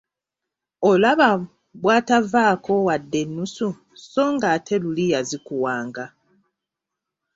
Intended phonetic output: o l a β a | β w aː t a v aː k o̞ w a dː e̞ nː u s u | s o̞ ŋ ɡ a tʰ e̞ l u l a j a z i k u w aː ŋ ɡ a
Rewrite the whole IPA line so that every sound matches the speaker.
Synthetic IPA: o l a β a | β w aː t a v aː k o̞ w a dː e̞ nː u s u | s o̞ ŋ ɡ a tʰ e̞ l u l i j a z i k u w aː ŋ ɡ a